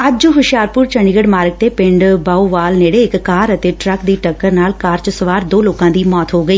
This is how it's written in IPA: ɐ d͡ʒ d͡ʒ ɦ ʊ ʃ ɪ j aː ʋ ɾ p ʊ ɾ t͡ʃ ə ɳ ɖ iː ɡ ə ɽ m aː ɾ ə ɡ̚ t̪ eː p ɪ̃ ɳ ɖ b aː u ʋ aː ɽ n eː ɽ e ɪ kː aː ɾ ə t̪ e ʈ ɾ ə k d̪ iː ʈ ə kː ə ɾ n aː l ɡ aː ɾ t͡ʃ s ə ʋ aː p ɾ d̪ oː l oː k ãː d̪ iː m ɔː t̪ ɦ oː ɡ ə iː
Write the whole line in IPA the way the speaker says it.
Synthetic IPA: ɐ d͡ʒ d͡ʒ ɦ ʊ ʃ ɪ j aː ɾ p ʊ ɾ t͡ʃ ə ɳ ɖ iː ɡ ə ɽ m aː ɾ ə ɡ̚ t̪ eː p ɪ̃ ɳ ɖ b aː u ʋ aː l n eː ɽ e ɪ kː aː ɾ ə t̪ e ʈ ɾ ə k d̪ iː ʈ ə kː ə ɾ n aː l k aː ɾ t͡ʃ s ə ʋ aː ɾ d̪ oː l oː k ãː d̪ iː m ɔː t̪ ɦ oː ɡ ə iː